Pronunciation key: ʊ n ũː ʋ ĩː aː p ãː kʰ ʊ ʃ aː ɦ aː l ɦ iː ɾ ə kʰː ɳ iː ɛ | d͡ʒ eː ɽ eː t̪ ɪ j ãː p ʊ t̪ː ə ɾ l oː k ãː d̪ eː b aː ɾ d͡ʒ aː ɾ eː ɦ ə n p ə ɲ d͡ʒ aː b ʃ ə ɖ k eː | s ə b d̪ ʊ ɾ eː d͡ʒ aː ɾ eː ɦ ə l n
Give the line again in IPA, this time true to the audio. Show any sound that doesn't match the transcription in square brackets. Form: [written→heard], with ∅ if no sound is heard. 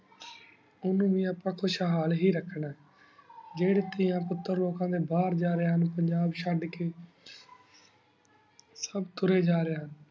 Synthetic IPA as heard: ʊ n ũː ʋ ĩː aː p ãː kʰ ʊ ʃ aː ɦ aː l ɦ iː ɾ ə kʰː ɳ [iː→aː] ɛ | d͡ʒ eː ɽ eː t̪ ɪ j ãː p ʊ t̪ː ə ɾ l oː k ãː d̪ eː b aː ɾ d͡ʒ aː ɾ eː ɦ ə n p ə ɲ d͡ʒ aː b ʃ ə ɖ k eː | s ə b [d̪→t̪] ʊ ɾ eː d͡ʒ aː ɾ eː ɦ ə [l→∅] n